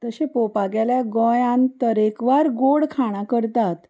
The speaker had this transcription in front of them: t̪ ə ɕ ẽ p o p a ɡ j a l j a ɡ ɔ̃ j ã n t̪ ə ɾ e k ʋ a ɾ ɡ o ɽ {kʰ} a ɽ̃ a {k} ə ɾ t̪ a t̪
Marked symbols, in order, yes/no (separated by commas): yes, yes